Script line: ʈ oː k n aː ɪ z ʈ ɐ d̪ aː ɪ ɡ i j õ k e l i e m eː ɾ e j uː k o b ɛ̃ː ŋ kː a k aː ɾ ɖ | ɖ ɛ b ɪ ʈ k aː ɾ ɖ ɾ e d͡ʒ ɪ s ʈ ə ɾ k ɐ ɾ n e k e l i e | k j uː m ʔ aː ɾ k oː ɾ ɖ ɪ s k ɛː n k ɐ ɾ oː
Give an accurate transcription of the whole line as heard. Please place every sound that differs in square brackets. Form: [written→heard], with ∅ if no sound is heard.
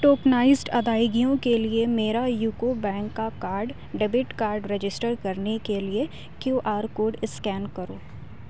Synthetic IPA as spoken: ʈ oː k n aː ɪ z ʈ ɐ d̪ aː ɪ ɡ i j õ k e l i e m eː ɾ [e→a] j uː k o b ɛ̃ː ŋ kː a k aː ɾ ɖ | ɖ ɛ b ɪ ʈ k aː ɾ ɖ ɾ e d͡ʒ ɪ s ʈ ə ɾ k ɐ ɾ n e k e l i e | k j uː [m→∅] ʔ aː ɾ k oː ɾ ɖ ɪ s k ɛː n k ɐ ɾ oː